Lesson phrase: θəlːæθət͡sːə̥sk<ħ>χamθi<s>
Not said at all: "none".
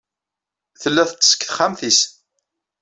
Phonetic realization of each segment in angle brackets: θ, s

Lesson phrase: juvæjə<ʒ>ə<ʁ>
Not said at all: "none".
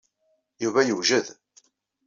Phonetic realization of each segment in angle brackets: ʒ, ð

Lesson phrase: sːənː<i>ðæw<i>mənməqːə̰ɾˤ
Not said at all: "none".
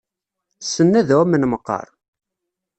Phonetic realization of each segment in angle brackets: æ, æ

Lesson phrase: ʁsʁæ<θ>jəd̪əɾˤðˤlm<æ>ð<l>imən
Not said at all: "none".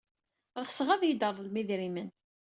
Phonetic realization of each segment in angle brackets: ð, i, ɾ

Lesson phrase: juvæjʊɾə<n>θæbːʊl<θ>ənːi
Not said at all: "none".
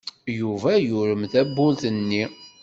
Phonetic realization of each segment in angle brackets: m, θ

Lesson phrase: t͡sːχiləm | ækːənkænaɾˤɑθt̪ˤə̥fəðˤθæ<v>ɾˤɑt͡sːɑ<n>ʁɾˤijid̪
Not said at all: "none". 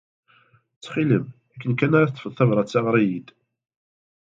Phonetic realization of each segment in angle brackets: v, none

